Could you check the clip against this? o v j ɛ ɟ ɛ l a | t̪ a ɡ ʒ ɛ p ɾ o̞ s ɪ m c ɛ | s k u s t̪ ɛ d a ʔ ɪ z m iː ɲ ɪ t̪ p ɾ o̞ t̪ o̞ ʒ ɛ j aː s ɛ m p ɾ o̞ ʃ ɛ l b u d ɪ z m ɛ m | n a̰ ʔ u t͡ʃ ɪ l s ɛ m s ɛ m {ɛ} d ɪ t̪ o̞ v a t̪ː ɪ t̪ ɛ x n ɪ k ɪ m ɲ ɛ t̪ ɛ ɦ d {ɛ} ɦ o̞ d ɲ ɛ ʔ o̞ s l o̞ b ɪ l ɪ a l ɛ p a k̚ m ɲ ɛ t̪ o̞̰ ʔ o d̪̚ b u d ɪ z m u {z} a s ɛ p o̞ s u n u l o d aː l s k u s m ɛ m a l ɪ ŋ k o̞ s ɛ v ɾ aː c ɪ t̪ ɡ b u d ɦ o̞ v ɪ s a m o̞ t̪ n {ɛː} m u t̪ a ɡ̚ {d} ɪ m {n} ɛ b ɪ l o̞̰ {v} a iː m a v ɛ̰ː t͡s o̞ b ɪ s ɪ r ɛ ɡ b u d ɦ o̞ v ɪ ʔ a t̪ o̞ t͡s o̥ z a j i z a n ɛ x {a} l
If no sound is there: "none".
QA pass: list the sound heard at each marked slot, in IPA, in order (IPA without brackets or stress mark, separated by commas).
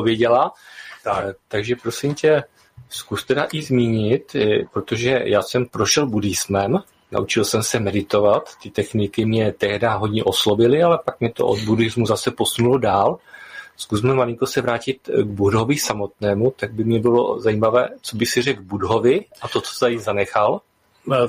ɛ, a, z, ɛː, b, ɲ, z, a